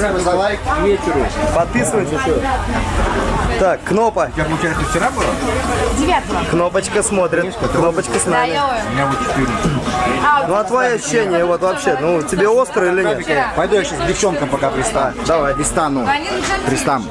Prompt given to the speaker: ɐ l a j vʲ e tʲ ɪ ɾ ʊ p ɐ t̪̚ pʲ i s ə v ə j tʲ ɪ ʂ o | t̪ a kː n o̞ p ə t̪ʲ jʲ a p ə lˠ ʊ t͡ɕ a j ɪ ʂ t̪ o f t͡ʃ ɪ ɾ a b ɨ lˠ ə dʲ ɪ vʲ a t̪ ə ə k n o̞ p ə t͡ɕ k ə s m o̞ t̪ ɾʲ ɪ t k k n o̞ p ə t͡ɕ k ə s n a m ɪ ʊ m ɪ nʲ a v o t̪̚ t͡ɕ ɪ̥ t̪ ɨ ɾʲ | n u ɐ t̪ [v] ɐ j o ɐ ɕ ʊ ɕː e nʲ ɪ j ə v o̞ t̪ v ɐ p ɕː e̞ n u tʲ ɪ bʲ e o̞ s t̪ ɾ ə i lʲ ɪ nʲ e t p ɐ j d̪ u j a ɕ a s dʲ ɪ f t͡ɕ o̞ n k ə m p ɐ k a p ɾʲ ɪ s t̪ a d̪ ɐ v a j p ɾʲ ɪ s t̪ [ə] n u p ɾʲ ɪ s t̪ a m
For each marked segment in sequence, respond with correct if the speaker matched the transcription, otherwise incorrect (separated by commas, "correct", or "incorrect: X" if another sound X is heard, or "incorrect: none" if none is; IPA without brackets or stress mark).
correct, incorrect: a